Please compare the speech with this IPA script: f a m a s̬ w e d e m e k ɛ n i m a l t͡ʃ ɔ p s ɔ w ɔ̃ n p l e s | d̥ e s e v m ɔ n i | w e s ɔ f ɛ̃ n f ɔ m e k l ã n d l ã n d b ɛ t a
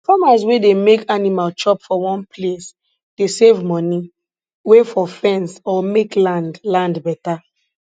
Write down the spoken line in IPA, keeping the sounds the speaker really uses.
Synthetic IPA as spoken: f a m a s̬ w e d e m e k a n i m a l t͡ʃ ɔ p f ɔ w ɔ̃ n p l e s | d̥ e s e v m ɔ n i | w e f ɔ f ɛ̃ n s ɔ m e k l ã n d l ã n d b ɛ t a

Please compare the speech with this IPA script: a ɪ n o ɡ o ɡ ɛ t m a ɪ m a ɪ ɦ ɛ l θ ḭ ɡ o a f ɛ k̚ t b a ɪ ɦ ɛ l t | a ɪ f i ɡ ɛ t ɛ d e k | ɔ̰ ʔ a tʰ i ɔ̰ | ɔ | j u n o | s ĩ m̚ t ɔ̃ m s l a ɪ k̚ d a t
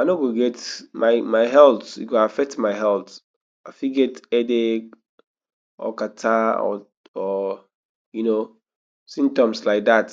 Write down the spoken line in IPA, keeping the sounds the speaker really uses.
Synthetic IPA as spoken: a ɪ n o ɡ o ɡ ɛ t m a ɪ m a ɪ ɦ ɛ l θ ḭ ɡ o a f ɛ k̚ t m a ɪ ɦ ɛ l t | a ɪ f i ɡ ɛ t ɛ d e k | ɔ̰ k a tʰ a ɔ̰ | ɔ | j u n o | s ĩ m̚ t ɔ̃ m s l a ɪ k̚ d a t

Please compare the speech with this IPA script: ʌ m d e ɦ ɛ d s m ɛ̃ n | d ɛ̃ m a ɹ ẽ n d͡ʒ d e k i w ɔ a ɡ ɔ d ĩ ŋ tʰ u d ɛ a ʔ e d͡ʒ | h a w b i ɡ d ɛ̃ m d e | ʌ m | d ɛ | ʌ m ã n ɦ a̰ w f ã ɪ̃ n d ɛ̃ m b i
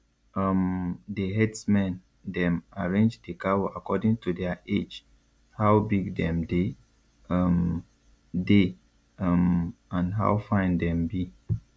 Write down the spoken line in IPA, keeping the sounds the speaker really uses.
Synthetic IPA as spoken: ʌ m d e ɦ ɛ d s m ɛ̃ n | d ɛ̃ m a ɹ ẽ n d͡ʒ d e k a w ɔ a k ɔ d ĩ ŋ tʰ u d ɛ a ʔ e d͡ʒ | h a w b i ɡ d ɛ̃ m d e | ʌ m | d e | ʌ m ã n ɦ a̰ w f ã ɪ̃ n d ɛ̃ m b i

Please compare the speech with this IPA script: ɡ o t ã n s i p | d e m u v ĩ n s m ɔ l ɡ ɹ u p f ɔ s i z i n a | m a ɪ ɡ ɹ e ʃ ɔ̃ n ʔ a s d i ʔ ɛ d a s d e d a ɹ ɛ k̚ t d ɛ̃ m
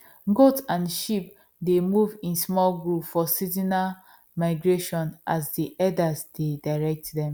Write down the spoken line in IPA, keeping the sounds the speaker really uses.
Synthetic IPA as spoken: ɡ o t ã n ʃ i p | d e m u v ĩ n s m ɔ l ɡ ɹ u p f ɔ s i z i n a | m a ɪ ɡ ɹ e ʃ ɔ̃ n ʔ a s d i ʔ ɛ d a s d e d a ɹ ɛ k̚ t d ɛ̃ m

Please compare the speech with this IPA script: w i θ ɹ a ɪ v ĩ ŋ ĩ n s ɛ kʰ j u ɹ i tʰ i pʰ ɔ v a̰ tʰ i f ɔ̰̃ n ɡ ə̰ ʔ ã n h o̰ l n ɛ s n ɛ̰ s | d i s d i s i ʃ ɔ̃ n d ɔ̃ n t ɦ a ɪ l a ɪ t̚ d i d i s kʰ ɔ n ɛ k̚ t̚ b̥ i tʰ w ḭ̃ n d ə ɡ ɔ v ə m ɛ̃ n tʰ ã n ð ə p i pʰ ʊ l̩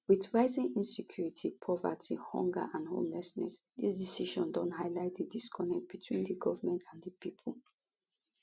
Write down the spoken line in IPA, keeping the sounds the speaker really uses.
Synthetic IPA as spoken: w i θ ɹ a ɪ z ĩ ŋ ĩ n s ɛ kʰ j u ɹ i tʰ i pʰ ɔ v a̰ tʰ i h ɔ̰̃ ŋ ɡ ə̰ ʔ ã n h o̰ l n ɛ s n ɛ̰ s | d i s d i s i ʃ ɔ̃ n d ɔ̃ n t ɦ a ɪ l a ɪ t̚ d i d i s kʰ ɔ n ɛ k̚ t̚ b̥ i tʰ w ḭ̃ n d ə ɡ ɔ v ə m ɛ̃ n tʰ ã n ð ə p i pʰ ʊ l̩

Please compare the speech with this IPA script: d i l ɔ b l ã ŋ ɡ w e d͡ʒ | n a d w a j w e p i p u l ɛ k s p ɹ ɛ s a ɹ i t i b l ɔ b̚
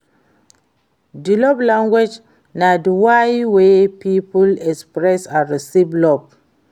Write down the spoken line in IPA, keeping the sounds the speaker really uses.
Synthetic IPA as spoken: d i l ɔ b l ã ŋ ɡ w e d͡ʒ | n a d w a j w e p i p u l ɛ k s p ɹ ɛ s a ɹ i s i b l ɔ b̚

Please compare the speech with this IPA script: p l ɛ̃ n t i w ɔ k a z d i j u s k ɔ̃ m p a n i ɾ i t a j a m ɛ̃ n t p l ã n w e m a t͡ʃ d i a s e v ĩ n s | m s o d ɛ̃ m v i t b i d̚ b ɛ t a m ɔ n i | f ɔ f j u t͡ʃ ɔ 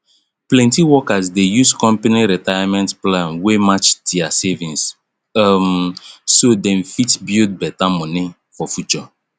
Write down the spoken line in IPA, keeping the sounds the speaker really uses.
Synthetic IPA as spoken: p l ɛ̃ n t i w ɔ k a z d e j u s k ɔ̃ m p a n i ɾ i t a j a m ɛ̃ n t p l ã n w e m a t͡ʃ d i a s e v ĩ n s | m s o d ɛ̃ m f i t b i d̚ b ɛ t a m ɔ n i | f ɔ f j u t͡ʃ ɔ

